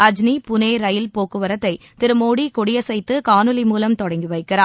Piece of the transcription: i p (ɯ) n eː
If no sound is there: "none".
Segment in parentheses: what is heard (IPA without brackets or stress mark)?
ʊ